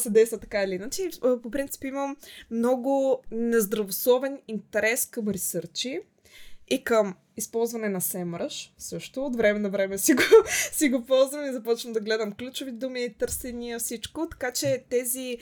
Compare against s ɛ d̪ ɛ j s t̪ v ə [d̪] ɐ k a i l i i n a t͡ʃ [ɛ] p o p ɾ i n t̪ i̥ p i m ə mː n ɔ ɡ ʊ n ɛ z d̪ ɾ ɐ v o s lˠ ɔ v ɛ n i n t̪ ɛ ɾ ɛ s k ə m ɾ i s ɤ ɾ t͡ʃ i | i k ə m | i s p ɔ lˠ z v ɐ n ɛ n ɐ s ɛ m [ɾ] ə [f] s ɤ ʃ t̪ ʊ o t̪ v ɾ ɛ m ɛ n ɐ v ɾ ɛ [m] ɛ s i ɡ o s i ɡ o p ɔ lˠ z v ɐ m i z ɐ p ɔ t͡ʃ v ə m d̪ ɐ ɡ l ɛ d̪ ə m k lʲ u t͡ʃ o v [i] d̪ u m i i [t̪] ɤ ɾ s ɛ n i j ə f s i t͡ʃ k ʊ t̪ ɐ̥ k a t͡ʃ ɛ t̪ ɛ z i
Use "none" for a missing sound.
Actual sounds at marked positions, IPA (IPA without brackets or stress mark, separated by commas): t̪, i, ɾ, ʃ, m, i, t̪